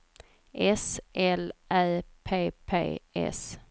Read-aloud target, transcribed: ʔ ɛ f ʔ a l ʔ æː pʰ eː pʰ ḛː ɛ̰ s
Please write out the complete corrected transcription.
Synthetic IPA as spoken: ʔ ɛ s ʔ ɛ l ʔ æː pʰ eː pʰ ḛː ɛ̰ s